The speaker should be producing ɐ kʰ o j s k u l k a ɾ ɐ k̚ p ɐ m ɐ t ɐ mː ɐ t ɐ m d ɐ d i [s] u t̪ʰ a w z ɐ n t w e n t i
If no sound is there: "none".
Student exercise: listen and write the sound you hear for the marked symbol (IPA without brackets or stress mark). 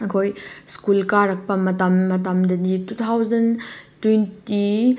t